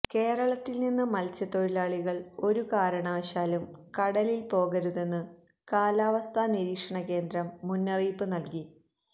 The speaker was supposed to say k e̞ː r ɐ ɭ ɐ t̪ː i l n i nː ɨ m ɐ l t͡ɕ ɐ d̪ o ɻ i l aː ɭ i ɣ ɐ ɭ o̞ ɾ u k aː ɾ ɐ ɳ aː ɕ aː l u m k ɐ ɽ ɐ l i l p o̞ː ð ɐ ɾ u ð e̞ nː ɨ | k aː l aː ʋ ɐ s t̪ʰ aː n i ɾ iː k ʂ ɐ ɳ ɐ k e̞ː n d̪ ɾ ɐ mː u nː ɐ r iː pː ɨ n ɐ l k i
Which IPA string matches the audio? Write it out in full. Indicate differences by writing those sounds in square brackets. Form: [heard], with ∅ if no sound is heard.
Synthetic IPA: k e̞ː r ɐ ɭ ɐ t̪ː i l n i nː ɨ m ɐ l t͡ɕ ɐ [t̪] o ɻ i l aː ɭ i ɣ ɐ ɭ o̞ ɾ u k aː ɾ ɐ ɳ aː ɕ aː l u m k ɐ ɽ ɐ l i l p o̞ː [ɣ] ɐ ɾ u ð e̞ nː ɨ | k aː l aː ʋ ɐ s t̪ʰ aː n i ɾ iː k ʂ ɐ ɳ ɐ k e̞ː n d̪ ɾ ɐ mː u nː ɐ r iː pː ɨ n ɐ l k i